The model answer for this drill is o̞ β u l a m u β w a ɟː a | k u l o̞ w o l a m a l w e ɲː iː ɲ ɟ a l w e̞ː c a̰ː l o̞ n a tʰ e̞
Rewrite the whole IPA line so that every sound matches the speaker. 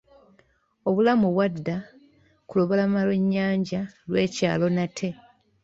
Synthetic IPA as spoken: o̞ β u l a m u β w a dː a | k u l o̞ β o l a m a l w e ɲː aː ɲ ɟ a l w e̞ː c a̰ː l o̞ n a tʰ e̞